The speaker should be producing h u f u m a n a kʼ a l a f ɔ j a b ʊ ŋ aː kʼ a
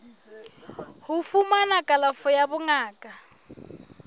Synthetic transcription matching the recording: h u f u m a n a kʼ a l a f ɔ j a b ʊ ŋ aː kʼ a